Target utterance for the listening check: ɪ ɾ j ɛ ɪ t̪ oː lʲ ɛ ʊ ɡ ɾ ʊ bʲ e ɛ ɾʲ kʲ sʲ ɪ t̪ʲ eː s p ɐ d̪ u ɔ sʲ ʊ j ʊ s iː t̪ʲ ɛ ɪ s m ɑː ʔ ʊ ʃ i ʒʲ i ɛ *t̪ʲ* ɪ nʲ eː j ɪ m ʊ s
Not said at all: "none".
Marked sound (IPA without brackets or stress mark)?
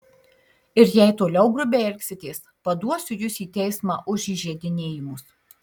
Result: d̪ʲ